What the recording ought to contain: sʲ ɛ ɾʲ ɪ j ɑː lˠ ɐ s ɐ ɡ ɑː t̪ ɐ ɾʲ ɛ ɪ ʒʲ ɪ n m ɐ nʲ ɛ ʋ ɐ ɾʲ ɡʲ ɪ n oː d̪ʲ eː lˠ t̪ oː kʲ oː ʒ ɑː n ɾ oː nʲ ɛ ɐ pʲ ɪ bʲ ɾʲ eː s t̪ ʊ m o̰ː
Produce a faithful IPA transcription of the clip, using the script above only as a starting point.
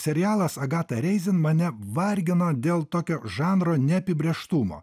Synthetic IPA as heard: sʲ ɛ ɾʲ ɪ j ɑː lˠ ɐ s ɐ ɡ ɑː t̪ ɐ ɾʲ ɛ ɪ zʲ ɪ n m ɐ nʲ ɛ ʋ ɐ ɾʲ ɡʲ ɪ n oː d̪ʲ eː lˠ t̪ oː kʲ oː ʒ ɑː n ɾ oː nʲ ɛ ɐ pʲ ɪ bʲ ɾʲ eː ʃ t̪ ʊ m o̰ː